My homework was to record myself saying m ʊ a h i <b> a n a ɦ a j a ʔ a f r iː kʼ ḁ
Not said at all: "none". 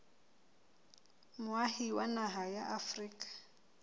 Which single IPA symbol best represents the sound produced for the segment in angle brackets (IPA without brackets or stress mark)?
w